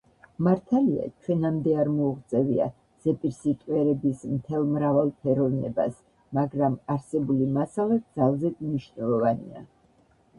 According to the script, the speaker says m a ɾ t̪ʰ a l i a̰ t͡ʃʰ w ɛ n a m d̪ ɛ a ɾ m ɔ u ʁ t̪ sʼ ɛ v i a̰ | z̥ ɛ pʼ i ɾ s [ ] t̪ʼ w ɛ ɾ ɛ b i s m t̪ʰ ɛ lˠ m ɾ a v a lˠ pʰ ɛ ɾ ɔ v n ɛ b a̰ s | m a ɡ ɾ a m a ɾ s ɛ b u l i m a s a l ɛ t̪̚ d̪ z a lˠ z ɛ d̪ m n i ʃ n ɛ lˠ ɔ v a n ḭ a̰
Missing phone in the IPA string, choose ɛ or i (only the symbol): i